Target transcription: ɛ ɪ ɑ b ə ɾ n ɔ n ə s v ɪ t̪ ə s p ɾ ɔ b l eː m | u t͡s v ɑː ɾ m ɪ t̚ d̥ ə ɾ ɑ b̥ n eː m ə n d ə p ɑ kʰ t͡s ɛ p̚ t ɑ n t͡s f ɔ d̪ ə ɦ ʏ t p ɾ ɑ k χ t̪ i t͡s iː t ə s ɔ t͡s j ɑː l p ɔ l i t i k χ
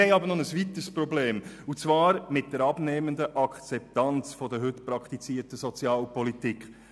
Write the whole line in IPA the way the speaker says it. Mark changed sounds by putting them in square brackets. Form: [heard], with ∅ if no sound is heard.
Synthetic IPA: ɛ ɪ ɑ b ə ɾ n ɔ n ə s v [i] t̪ ə s p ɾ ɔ b l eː m | u t͡s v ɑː ɾ m ɪ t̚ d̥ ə ɾ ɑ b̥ n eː m ə n d ə [ʔ] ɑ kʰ t͡s ɛ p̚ t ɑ n t͡s f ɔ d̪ ə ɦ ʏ t p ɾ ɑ k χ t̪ i t͡s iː t ə s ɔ t͡s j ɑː l p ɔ l i t i k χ